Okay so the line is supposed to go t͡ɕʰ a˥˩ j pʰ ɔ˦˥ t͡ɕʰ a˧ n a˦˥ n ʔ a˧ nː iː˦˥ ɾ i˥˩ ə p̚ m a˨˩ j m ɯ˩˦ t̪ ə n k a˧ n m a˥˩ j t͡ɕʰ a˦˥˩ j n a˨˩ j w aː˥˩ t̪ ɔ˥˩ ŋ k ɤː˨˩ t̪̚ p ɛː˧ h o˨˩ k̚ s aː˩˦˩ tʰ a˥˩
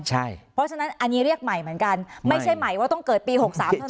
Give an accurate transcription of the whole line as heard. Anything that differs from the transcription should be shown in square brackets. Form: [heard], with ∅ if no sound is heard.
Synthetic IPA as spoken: t͡ɕʰ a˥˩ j pʰ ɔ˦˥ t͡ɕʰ a˧ n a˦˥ n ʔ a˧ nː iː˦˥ ɾ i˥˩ ə [k̚] m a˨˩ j m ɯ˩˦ [∅] ə n k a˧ n m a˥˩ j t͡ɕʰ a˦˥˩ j [m] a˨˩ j w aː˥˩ t̪ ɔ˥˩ ŋ k ɤː˨˩ t̪̚ p [iː˧] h o˨˩ k̚ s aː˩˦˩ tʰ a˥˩